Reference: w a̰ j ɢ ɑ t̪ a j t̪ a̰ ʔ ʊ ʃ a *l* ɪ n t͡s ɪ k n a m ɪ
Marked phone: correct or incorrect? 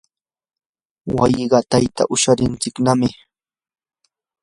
incorrect